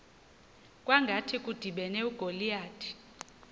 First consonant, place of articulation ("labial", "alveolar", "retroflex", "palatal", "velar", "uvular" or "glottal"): velar